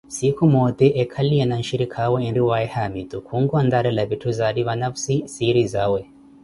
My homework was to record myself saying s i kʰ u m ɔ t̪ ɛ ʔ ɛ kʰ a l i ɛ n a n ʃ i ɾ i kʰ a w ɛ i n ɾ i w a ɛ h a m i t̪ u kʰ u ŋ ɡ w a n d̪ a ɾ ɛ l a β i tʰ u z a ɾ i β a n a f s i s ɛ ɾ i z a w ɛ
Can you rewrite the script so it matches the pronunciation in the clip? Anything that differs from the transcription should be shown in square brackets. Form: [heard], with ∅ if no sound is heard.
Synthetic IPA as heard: s i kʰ u m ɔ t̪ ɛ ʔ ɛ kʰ a l i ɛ n a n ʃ i ɾ i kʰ a w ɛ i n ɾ i w a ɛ h a m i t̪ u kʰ u ŋ ɡ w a n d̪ a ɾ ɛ l a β i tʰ u z a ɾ i β a n a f s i s [i] ɾ i z a w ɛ